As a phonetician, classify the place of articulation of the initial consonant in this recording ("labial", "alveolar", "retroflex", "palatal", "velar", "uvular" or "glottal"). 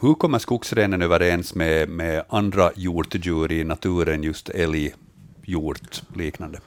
glottal